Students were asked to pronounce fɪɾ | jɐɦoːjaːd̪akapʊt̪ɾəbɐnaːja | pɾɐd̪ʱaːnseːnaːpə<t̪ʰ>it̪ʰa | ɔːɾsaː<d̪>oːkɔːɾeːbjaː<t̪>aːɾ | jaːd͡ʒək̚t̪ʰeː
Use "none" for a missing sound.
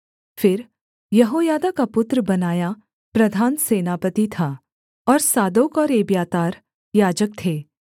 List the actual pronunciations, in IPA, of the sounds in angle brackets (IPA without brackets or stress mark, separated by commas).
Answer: t̪, d̪, t̪